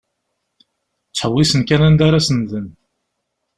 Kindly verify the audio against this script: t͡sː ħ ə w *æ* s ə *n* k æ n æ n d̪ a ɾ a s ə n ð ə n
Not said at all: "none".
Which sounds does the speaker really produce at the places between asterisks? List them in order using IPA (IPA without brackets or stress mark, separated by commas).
i, n